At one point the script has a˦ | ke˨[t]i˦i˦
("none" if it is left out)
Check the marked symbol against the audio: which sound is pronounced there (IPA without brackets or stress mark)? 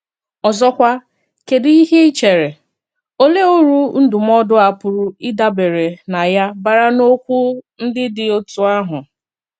d